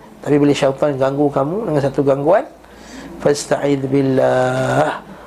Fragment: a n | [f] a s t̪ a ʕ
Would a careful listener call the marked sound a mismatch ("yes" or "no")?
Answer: no